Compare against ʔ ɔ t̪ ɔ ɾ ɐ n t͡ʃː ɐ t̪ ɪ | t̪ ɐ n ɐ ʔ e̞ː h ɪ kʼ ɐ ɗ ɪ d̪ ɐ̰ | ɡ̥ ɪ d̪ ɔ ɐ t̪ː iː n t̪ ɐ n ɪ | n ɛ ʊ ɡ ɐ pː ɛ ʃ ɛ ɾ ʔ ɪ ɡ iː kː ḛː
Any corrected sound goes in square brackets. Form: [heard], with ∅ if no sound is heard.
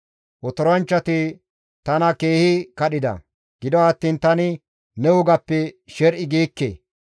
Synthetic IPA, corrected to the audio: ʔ ɔ t̪ ɔ ɾ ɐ n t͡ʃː ɐ t̪ ɪ | t̪ ɐ n ɐ [k] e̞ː h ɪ [k] ɐ ɗ ɪ d̪ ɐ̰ | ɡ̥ ɪ d̪ ɔ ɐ t̪ː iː n t̪ ɐ n ɪ | n ɛ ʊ ɡ ɐ pː ɛ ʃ ɛ ɾ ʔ ɪ ɡ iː kː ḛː